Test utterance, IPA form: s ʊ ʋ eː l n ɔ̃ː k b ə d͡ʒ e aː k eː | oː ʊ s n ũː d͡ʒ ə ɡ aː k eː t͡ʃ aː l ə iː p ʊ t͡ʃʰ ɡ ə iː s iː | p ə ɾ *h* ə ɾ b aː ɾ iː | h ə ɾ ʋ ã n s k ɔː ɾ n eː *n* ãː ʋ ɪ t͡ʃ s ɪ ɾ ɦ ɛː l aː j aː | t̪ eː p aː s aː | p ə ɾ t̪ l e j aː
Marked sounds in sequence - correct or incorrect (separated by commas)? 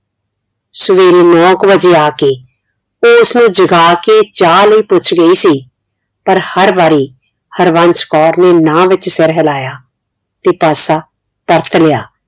correct, correct